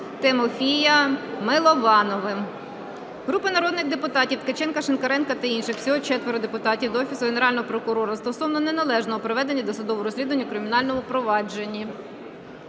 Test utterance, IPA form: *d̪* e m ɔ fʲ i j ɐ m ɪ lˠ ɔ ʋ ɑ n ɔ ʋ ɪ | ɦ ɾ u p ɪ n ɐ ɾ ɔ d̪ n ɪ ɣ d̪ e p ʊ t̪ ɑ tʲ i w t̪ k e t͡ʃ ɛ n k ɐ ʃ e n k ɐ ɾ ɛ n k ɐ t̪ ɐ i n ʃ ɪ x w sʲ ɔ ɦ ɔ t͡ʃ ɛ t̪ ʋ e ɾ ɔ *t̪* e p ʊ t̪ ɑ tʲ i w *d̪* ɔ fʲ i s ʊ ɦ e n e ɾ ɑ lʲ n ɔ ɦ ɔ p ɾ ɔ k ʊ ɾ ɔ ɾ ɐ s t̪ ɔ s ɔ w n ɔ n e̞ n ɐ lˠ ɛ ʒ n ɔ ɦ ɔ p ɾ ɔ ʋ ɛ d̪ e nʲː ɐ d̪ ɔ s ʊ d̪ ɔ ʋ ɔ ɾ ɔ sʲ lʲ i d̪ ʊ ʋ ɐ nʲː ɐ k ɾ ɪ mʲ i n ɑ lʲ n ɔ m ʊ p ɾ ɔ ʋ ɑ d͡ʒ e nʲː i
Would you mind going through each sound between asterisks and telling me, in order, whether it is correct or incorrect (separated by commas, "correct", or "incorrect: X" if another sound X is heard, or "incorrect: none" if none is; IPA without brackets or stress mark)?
incorrect: t̪, incorrect: d̪, correct